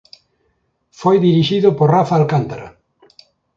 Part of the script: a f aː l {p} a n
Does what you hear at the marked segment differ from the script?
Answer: yes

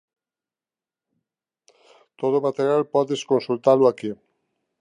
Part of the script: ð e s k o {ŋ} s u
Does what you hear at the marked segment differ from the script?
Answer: yes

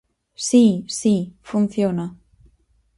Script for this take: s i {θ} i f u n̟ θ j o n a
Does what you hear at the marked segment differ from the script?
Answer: yes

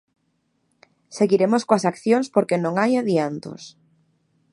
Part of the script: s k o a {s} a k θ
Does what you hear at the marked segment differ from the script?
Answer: no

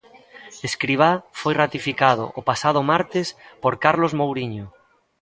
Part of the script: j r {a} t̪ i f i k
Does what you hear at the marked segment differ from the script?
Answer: no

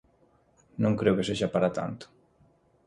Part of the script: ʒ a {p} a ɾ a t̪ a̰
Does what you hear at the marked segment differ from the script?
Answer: no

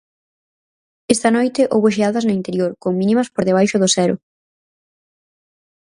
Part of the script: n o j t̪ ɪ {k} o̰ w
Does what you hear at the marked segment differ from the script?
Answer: yes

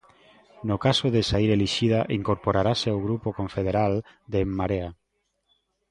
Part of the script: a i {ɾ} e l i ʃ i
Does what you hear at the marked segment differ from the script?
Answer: no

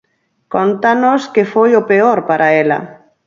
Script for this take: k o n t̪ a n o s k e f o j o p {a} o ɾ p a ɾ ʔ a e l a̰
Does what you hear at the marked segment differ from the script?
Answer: yes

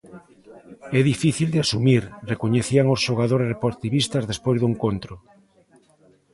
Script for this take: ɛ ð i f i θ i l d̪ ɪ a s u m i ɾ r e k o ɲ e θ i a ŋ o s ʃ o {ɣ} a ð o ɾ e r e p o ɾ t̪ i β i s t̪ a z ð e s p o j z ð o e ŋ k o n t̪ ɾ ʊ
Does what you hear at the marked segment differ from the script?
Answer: no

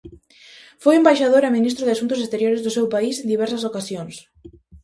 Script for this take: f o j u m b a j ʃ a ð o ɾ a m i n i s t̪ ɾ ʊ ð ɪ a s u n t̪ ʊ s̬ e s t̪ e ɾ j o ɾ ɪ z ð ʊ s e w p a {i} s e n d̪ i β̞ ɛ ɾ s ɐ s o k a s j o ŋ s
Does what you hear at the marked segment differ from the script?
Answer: no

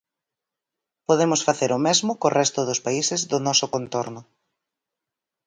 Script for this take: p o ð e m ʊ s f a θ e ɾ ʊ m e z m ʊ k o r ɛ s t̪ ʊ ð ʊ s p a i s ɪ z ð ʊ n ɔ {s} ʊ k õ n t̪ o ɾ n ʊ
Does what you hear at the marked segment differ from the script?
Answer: no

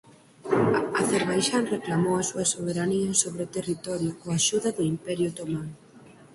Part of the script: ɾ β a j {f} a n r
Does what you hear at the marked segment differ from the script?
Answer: yes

